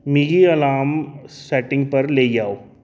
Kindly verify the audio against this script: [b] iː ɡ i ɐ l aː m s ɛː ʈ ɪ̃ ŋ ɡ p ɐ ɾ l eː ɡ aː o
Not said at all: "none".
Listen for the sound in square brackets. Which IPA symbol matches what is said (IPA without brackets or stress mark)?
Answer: m